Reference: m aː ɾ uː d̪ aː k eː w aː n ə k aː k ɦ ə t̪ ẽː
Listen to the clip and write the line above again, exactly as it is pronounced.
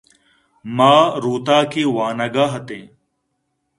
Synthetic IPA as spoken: m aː ɾ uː t̪ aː k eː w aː n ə ɡ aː ɦ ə t̪ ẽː